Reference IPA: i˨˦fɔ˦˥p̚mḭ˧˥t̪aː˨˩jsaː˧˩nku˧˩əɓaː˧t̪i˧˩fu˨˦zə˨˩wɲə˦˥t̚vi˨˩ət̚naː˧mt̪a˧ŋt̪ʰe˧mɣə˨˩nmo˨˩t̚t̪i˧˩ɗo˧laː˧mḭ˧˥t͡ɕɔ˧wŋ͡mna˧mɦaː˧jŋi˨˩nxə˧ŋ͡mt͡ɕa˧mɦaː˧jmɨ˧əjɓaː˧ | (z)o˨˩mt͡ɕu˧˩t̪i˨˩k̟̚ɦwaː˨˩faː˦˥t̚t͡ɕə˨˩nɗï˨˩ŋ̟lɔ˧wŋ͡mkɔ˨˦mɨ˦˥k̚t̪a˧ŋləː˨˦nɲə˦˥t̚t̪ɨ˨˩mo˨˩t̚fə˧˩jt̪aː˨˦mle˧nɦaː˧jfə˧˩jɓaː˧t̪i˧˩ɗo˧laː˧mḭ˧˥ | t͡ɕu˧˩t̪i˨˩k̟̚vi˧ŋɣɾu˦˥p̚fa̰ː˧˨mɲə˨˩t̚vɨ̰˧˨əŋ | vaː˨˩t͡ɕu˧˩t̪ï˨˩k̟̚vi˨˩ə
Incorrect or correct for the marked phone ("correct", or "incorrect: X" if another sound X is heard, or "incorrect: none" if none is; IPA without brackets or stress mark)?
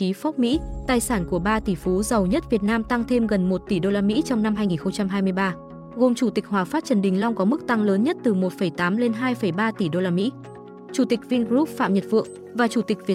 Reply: incorrect: ɣ